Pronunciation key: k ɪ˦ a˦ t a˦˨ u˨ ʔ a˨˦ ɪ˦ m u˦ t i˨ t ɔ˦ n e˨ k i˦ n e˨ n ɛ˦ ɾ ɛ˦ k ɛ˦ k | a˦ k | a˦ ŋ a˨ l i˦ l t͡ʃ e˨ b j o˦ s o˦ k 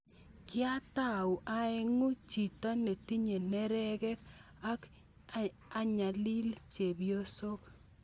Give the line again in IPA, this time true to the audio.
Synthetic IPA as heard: k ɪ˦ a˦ t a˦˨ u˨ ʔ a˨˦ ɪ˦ ŋ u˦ t͡ʃ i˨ t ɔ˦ n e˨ t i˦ ɲ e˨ n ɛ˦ ɾ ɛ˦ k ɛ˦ k | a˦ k | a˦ ɲ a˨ l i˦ l t͡ʃ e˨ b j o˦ s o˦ k